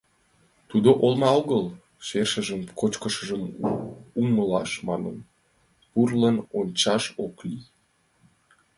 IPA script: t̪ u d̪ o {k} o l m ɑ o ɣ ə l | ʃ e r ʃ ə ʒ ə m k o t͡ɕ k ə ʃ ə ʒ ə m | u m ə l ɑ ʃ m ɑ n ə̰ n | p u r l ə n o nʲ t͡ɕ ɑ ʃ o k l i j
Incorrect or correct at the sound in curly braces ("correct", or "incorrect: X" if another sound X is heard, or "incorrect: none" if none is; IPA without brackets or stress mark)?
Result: incorrect: ʔ